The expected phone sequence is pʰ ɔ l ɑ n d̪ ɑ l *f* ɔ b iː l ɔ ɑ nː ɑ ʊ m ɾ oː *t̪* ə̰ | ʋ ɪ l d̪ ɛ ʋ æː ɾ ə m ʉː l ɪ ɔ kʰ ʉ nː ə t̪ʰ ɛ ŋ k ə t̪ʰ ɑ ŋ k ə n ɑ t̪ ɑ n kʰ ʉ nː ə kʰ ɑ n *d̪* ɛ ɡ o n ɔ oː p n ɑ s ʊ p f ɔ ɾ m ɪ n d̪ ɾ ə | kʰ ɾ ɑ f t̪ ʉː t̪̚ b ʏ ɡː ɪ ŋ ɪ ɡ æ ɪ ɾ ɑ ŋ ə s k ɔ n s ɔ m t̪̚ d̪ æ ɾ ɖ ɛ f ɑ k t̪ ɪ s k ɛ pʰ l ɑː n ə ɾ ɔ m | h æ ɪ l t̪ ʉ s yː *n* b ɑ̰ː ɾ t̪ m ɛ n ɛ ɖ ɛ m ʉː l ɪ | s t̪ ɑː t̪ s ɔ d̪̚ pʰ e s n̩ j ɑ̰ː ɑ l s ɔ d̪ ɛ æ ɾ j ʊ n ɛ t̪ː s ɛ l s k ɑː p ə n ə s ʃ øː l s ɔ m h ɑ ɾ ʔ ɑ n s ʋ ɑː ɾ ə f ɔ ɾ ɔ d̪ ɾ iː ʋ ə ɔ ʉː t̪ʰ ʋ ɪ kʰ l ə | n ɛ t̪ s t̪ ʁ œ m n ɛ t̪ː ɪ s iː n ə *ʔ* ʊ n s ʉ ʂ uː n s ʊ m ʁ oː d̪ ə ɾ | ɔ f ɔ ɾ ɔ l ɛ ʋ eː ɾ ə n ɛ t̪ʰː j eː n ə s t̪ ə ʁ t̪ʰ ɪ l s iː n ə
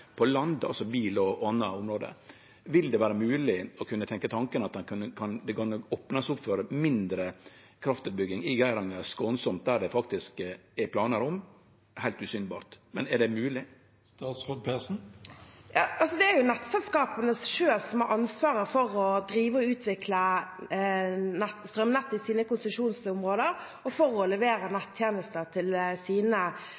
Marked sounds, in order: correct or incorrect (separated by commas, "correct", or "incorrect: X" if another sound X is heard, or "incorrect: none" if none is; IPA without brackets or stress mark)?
incorrect: s, incorrect: d̪, correct, correct, incorrect: k